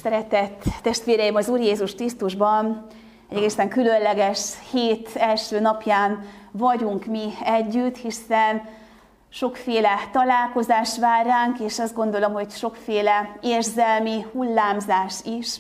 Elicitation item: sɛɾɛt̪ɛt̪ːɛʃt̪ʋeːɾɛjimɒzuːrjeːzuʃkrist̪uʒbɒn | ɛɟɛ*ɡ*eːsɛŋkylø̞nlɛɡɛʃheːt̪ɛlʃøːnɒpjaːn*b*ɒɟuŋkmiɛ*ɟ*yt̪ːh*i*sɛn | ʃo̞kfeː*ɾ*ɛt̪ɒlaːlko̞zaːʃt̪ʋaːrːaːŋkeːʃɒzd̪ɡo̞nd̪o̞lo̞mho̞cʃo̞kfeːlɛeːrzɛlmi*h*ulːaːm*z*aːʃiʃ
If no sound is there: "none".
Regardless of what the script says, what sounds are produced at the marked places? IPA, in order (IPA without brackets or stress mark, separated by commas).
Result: ɡ, v, ɟː, i, l, h, z